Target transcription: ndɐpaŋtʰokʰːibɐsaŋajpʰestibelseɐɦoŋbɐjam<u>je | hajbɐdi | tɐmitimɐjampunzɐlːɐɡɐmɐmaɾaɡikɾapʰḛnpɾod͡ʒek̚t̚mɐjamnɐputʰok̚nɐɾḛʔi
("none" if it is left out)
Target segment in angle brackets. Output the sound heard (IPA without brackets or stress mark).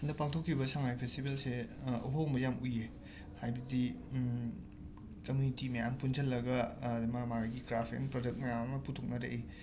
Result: u